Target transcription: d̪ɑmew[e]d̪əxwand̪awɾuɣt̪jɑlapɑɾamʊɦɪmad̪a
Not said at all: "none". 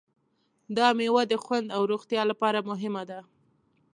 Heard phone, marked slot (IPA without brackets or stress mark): a